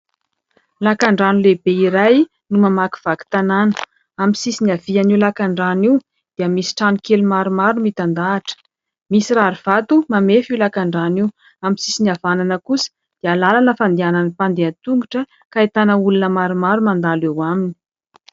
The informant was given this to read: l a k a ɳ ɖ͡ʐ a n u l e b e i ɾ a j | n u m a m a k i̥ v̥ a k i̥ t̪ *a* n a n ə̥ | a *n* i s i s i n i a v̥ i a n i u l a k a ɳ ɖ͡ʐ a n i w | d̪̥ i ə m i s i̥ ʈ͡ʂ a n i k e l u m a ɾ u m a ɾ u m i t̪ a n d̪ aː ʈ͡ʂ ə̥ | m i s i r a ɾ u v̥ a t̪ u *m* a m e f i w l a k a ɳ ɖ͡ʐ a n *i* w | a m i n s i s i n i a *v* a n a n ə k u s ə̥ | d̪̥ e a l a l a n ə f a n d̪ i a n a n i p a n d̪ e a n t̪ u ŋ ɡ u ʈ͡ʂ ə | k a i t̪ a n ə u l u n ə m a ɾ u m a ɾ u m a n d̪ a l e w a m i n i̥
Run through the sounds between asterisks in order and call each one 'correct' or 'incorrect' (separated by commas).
correct, incorrect, correct, correct, correct